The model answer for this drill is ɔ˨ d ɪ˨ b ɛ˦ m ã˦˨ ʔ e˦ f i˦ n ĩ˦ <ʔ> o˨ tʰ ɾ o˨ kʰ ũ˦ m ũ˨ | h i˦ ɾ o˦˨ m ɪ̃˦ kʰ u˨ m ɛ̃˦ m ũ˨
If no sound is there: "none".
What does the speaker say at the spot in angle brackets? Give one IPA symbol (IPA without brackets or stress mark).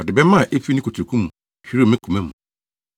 k